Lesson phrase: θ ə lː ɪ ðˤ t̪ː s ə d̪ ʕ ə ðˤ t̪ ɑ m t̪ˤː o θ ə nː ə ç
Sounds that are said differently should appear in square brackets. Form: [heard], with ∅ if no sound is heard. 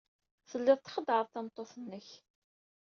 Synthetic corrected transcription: θ ə lː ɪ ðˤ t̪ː [χ] ə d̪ ʕ ə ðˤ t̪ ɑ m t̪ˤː o θ ə nː ə ç

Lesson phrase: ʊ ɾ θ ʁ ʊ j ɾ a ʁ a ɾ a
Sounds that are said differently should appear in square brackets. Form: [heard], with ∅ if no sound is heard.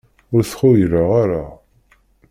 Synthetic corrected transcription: ʊ ɾ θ [χ] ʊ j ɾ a ʁ a ɾ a

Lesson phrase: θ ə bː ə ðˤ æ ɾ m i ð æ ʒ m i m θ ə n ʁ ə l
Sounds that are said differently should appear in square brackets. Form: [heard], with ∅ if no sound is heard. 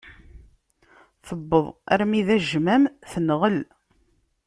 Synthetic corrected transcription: θ ə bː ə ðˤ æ ɾ m i ð æ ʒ m [æ] m θ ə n ʁ ə l

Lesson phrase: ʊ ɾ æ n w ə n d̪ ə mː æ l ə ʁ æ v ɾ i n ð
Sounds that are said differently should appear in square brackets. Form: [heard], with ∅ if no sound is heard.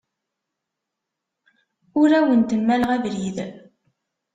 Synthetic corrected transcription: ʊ ɾ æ [∅] w ə n [t̪] ə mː æ l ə ʁ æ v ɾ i [∅] ð

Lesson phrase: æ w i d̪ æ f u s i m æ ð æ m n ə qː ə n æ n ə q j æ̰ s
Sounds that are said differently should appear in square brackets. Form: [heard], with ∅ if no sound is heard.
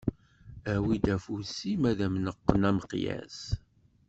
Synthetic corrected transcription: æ w i d̪ æ f u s i m æ ð æ m n ə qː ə n æ [m] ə q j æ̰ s

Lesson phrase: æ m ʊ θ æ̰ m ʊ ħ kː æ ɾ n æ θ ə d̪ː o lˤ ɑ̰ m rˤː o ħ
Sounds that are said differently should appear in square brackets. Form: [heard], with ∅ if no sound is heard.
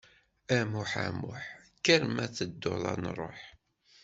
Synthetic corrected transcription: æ m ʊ [ħ] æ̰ m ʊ ħ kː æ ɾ [m] æ θ ə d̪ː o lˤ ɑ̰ [n] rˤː o ħ

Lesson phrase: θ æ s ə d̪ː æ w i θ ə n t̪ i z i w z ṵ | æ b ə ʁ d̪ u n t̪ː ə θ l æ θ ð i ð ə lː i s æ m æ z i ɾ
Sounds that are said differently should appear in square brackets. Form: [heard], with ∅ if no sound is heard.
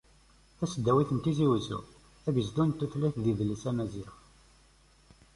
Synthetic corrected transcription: θ æ s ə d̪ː æ w i θ ə n t̪ i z i w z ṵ | æ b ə [z] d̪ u n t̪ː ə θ l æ θ ð i ð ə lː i s æ m æ z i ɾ

